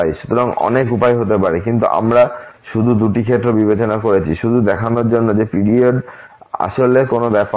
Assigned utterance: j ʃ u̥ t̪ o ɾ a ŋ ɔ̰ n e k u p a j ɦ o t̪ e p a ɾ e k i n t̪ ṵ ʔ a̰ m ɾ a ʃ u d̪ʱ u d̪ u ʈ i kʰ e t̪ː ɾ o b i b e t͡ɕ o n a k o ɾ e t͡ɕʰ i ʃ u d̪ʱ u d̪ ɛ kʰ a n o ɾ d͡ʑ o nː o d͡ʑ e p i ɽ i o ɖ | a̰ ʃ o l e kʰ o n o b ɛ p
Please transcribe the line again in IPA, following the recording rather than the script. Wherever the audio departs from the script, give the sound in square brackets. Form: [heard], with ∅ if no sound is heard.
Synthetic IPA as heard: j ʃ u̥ t̪ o ɾ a ŋ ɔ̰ n e k u p a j ɦ o t̪ e p a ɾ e k i n t̪ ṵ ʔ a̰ m ɾ a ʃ u d̪ʱ u d̪ u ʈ i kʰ e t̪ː ɾ o b i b e t͡ɕ o n a k o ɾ e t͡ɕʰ i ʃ u d̪ʱ u d̪ ɛ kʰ a n o ɾ d͡ʑ o nː o d͡ʑ e p i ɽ i o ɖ | a̰ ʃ o l e [k] o n o b ɛ p